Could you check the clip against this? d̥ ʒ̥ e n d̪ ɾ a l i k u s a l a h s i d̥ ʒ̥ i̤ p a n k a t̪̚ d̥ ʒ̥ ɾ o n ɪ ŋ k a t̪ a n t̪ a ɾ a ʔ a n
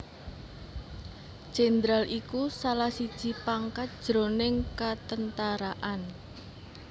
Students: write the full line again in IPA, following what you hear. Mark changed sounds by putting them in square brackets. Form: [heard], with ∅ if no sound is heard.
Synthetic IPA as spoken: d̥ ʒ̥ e n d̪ ɾ a l i k u s a l a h s i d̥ ʒ̥ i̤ p a [ŋ] k a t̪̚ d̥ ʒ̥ ɾ o n ɪ ŋ k a t̪ [ə] n t̪ a ɾ a ʔ a n